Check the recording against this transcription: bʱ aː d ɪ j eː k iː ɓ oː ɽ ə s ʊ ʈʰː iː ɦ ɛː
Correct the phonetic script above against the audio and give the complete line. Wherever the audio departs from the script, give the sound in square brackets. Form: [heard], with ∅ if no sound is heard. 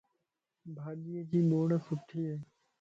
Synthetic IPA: bʱ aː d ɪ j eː k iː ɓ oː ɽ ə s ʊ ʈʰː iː ɦ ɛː

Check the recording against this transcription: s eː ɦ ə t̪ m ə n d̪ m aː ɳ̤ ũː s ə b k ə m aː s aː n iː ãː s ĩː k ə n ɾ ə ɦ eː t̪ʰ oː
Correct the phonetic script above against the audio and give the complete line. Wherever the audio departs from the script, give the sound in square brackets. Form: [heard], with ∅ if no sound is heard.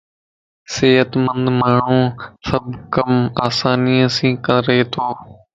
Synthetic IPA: s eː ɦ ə t̪ m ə n d̪ m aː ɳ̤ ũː s ə b k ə m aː s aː n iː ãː s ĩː k ə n ɾ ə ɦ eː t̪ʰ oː

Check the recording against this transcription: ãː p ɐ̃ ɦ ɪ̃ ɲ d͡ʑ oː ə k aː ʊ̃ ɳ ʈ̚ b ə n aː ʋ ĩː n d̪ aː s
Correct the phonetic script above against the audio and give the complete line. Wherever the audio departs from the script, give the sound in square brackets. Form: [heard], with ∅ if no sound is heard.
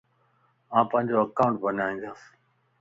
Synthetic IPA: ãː p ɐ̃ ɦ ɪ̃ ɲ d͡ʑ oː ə k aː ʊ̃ ɳ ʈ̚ b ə n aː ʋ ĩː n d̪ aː s

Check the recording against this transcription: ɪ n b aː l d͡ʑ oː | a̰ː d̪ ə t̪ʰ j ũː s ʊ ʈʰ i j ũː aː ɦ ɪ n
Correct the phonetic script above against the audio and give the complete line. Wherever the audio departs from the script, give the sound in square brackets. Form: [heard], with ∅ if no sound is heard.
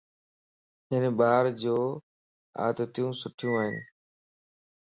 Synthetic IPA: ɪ n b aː [ɾ] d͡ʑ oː | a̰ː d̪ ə [t̪] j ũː s ʊ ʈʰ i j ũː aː ɦ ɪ n

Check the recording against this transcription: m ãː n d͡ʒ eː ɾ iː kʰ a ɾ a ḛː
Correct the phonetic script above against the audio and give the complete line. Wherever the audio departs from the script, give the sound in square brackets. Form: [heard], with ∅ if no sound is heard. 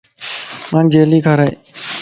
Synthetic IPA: m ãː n d͡ʒ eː [l] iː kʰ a ɾ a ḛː

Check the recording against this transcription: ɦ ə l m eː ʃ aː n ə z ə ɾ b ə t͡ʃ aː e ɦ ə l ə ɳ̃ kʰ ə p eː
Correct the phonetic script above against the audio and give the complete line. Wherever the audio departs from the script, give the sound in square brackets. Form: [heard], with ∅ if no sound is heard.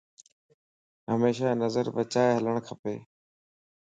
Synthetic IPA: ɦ ə [∅] m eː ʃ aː n ə z ə ɾ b ə t͡ʃ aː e ɦ ə l ə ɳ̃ kʰ ə p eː

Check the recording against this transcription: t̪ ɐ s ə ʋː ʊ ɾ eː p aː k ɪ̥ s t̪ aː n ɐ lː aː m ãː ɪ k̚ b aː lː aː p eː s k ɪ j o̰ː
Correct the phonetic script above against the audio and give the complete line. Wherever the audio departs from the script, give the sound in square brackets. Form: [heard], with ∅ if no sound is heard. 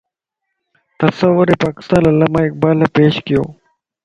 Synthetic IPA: t̪ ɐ s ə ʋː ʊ ɾ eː p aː k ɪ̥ s t̪ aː n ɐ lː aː m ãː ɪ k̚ b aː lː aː p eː [ʃ] k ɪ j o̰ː

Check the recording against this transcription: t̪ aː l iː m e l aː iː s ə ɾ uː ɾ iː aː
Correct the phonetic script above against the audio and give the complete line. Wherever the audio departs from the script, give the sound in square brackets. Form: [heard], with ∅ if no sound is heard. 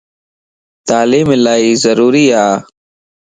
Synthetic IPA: t̪ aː l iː m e l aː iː [z] ə ɾ uː ɾ iː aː

